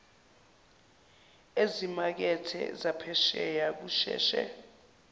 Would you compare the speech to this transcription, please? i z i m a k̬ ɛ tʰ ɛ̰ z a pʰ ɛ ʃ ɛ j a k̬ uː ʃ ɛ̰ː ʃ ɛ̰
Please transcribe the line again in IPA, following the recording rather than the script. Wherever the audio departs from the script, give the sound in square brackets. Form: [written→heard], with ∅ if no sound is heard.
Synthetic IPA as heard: [i→e] z i m a k̬ ɛ tʰ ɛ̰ z a pʰ ɛ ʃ ɛ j a k̬ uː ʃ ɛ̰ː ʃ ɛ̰

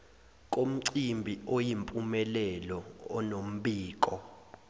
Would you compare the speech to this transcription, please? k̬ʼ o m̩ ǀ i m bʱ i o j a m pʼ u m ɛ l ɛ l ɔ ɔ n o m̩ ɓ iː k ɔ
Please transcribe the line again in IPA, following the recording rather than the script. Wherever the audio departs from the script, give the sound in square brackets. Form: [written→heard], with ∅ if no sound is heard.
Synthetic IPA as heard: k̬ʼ o m̩ ǀ i m bʱ i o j [a→i] m pʼ u m ɛ l ɛ l ɔ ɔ n o m̩ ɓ iː k ɔ

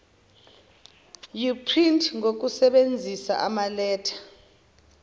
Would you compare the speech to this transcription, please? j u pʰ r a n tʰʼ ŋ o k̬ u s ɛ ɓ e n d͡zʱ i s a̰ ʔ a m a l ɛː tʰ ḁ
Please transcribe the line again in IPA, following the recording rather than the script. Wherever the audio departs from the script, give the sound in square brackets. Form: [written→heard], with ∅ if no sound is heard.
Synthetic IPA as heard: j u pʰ r [a→i] n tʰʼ ŋ o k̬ u s ɛ ɓ e n d͡zʱ i s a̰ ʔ a m a l ɛː tʰ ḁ

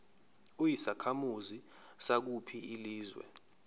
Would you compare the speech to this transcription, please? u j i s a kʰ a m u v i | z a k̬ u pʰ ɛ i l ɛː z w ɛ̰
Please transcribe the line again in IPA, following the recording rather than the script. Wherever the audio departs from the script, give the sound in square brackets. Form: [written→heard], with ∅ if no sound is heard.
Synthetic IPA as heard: u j i s a kʰ a m u [v→z] i | [z→s] a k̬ u pʰ [ɛ→i] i l [ɛː→iː] z w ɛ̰

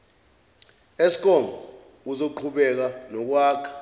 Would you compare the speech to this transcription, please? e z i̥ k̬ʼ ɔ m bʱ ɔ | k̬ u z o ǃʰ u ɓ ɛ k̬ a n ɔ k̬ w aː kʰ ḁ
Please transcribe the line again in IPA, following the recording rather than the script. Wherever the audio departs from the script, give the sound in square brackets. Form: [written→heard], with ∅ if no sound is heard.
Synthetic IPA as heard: e [z→s] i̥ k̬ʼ ɔ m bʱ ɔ | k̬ u z o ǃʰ u ɓ ɛ k̬ a n ɔ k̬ w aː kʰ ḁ

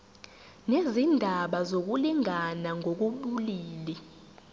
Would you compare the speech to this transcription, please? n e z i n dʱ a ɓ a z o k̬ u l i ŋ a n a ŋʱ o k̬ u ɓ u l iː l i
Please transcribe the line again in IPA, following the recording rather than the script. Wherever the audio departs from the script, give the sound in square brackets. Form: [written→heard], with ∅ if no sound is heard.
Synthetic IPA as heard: n e z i n dʱ a ɓ a z o k̬ u l i ŋ a n a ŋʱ o k̬ u ɓ u l iː l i

